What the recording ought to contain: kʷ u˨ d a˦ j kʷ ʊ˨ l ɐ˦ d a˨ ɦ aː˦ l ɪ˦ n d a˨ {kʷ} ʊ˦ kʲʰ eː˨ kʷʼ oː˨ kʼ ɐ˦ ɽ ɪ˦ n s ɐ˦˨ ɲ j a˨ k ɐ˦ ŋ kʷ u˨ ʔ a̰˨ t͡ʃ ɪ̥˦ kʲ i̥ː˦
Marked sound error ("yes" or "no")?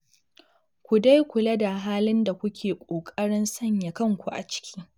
no